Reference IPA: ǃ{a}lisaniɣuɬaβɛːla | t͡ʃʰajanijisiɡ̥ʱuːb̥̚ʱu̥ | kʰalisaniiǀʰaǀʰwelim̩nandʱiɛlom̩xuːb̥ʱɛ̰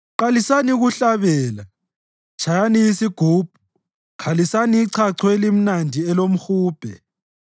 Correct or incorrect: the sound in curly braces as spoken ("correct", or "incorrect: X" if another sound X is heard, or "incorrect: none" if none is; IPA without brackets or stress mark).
correct